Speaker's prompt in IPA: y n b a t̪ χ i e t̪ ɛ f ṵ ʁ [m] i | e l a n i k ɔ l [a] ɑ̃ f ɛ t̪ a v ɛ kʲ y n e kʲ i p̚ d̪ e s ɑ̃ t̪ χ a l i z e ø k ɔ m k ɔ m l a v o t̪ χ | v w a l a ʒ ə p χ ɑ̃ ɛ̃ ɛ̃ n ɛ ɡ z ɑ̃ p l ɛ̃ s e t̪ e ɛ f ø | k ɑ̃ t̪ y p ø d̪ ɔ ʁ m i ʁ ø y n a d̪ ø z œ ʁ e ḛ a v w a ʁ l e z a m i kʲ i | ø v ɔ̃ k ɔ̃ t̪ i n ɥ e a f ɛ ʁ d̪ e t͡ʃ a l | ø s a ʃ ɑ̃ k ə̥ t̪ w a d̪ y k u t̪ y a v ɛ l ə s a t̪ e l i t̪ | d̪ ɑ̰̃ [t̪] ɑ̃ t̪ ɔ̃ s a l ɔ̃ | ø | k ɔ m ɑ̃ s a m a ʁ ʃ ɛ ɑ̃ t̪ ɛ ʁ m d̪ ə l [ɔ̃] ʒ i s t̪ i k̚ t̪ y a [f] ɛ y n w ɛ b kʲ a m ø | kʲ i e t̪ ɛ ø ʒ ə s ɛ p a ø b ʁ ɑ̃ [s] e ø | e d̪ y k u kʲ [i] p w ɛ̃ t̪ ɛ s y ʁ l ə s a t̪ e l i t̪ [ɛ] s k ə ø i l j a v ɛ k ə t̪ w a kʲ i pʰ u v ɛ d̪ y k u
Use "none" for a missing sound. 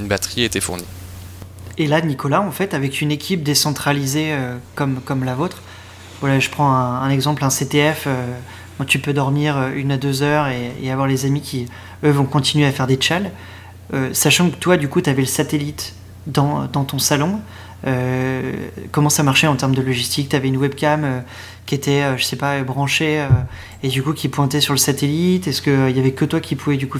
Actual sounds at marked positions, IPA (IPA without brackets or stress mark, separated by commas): n, a, d̪, ɔ, v, ʃ, i, ɛ